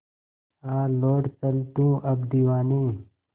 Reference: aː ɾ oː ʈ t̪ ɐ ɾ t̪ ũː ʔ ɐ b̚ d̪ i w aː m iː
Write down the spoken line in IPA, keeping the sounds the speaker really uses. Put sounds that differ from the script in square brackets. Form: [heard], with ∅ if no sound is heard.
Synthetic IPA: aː [l] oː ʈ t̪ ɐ [l] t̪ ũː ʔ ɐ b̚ d̪ i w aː [n] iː

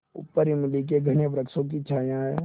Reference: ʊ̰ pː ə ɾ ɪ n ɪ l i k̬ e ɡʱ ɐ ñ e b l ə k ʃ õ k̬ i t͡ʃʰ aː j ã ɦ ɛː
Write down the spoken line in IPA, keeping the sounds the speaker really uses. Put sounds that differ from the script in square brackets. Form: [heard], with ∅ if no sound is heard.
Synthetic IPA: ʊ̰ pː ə ɾ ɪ [m] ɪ l i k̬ e ɡʱ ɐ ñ e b [ɾ] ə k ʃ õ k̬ i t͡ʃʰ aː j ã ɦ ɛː

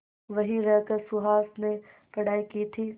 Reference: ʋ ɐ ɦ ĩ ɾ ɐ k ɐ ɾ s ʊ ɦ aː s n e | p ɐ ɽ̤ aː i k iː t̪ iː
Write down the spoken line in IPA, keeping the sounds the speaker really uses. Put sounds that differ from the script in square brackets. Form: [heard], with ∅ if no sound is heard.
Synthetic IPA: ʋ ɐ ɦ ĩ ɾ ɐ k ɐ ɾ s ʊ ɦ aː s n e | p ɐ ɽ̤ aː i k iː [t̪ʰ] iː

